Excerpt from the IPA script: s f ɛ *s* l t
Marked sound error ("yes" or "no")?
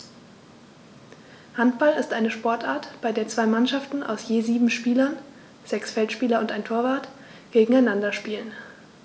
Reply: yes